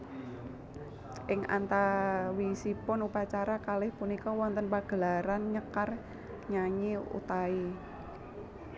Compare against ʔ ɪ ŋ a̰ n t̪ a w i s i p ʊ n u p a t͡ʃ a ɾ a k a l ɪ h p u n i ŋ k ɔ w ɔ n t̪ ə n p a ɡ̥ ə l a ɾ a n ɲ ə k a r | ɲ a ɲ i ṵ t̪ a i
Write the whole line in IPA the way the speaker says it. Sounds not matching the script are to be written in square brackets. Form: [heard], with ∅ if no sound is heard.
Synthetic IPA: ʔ ɪ ŋ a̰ n t̪ a w i s i p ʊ n u p a t͡ʃ a ɾ a k a l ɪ h p u n i [∅] k ɔ w ɔ n t̪ ə n p a ɡ̥ ə l a ɾ a n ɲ ə k a r | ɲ a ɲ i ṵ t̪ a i